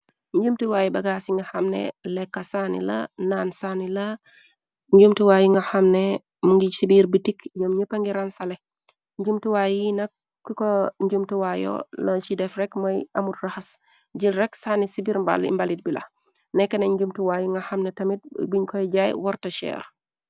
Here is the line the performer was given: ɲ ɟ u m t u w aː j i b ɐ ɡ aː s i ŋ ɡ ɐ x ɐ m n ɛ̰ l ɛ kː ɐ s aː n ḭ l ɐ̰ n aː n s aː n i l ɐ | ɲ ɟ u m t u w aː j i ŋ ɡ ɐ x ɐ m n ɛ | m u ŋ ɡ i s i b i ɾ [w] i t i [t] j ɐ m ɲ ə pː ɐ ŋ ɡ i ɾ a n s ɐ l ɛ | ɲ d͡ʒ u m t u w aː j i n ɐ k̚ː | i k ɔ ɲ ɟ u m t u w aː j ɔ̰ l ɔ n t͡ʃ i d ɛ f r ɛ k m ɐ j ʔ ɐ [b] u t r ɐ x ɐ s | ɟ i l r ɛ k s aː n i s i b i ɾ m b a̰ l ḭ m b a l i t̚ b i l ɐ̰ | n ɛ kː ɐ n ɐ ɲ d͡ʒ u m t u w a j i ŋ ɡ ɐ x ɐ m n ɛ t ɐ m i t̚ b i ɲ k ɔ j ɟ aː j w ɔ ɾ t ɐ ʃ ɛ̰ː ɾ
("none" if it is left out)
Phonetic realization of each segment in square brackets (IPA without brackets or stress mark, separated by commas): b, k, m